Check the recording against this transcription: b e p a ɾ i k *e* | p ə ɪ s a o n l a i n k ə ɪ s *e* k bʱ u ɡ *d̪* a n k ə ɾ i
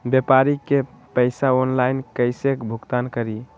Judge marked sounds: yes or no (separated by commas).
yes, yes, no